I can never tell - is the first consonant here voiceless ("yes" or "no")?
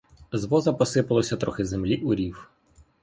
no